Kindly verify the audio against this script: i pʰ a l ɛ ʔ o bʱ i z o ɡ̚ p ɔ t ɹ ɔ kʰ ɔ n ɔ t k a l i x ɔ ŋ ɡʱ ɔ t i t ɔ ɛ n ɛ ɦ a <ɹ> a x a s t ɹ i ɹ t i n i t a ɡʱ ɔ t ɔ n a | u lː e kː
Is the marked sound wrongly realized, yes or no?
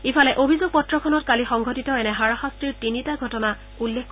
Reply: no